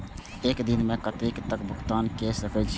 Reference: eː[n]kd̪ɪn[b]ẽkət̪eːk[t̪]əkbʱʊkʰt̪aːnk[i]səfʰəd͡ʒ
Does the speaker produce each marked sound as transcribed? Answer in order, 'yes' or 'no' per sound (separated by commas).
no, no, yes, no